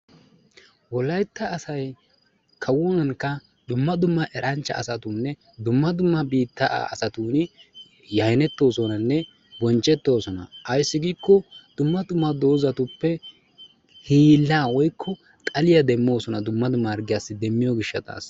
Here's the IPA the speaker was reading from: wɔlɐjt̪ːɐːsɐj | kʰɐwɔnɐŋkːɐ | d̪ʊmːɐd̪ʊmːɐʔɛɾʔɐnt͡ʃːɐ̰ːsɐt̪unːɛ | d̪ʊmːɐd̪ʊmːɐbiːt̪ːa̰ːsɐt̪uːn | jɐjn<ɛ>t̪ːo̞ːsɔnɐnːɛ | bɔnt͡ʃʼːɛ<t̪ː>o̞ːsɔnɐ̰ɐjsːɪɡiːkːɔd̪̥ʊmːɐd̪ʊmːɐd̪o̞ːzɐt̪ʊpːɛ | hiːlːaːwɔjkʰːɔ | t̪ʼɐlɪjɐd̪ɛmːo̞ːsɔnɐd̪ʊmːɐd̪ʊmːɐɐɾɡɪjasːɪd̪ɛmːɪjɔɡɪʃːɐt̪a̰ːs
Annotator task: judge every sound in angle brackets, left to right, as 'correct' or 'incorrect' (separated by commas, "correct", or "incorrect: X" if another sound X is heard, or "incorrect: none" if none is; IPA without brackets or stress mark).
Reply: correct, correct